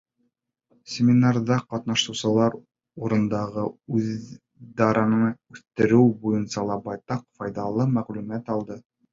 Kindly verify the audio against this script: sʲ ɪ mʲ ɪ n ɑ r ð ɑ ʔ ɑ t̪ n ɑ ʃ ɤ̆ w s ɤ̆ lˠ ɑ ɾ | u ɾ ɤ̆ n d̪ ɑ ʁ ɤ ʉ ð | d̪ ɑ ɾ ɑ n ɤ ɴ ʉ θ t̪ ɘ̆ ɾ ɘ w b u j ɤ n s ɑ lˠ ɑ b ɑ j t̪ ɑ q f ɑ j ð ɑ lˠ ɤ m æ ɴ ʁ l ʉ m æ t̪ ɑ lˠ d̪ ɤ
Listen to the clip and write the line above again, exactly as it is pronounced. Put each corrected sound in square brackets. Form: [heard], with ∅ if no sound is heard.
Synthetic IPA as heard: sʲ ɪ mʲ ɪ n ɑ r ð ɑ [q] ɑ t̪ n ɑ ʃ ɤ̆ w s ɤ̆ lˠ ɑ ɾ | u ɾ ɤ̆ n d̪ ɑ ʁ ɤ ʉ ð | d̪ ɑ ɾ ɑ n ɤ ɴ ʉ θ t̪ ɘ̆ ɾ ɘ w b u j ɤ n s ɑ lˠ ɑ b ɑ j t̪ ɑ q f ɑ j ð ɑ lˠ ɤ m æ [∅] ʁ l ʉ m æ t̪ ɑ lˠ d̪ ɤ